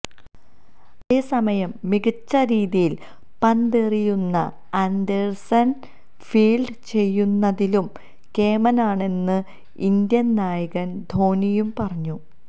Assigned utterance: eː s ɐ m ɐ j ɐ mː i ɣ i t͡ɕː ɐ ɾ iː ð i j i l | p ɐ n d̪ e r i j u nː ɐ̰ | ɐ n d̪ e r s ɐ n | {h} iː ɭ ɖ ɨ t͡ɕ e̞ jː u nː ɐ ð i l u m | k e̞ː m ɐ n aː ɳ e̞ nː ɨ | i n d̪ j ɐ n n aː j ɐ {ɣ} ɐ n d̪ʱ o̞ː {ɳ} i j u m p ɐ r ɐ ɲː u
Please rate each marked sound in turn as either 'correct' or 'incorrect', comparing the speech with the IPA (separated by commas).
incorrect, correct, incorrect